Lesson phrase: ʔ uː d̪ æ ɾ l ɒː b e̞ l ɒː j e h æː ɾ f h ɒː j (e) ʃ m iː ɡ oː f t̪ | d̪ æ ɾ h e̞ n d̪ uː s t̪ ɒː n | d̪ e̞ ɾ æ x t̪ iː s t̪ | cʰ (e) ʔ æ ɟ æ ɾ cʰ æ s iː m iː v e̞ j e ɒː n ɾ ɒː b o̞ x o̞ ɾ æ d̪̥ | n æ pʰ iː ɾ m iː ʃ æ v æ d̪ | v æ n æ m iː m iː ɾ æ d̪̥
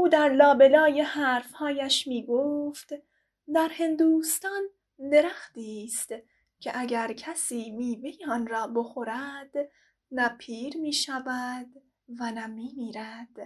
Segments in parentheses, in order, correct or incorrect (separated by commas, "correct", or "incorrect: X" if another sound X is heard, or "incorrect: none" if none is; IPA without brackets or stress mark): incorrect: æ, correct